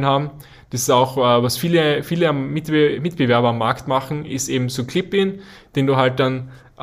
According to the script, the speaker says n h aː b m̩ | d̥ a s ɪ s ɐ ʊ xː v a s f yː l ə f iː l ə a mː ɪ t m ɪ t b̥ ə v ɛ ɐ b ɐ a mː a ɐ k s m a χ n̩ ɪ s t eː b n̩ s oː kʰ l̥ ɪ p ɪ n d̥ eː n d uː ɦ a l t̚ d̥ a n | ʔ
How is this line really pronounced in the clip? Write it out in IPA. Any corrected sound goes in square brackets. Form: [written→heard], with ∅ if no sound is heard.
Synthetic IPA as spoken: n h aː b m̩ | d̥ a s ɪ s [ɐ→a] ʊ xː v a s f [yː→iː] l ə f iː l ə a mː ɪ t m ɪ t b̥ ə v ɛ ɐ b ɐ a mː a ɐ k [s→t] m a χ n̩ ɪ s t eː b [n̩→m̩] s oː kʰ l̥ ɪ p ɪ n d̥ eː n d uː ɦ a l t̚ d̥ a n | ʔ